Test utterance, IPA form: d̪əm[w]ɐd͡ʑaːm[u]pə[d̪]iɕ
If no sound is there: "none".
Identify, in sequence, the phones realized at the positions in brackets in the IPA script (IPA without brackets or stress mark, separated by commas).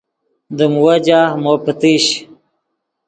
w, o, t̪